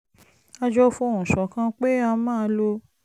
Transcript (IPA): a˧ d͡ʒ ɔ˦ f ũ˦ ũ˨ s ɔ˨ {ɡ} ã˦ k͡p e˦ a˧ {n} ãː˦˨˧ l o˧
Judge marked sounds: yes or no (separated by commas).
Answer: no, no